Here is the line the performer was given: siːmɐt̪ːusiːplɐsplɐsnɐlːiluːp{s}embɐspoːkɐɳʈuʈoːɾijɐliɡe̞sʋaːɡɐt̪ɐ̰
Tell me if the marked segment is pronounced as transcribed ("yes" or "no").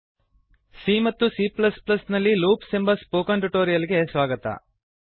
yes